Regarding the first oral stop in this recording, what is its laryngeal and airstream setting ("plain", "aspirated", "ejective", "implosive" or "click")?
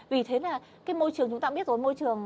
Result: aspirated